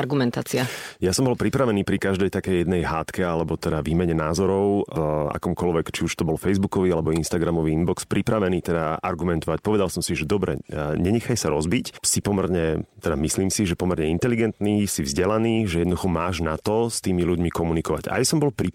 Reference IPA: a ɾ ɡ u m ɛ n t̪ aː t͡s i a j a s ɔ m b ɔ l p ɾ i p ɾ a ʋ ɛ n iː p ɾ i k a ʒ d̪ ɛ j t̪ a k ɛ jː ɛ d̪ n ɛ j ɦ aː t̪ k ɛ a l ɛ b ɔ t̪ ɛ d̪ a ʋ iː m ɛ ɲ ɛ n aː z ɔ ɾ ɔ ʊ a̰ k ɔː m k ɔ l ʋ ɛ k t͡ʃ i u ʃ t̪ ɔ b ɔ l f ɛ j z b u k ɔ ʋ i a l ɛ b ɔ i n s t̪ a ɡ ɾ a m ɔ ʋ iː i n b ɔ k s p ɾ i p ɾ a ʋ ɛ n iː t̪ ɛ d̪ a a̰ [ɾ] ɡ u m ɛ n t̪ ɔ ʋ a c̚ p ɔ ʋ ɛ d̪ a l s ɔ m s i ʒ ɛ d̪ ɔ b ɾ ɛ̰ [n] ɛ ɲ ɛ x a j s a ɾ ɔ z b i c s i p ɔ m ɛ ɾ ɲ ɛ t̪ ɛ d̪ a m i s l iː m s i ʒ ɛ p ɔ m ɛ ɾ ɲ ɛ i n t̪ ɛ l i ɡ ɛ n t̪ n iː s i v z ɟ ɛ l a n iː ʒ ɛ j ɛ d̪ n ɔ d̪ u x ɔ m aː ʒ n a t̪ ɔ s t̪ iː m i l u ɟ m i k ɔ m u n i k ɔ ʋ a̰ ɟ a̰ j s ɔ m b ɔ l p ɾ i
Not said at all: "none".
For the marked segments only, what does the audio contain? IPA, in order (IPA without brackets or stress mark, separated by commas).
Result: ɾ, ɲ